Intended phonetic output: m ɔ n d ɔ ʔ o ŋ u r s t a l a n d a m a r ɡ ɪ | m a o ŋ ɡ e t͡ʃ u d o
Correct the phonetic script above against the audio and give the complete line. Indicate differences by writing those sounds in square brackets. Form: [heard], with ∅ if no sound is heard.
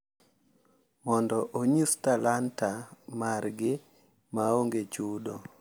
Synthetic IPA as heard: m ɔ n d ɔ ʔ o [ɲ] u [∅] s t a l a n [t] a m a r ɡ ɪ | m a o ŋ ɡ e t͡ʃ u d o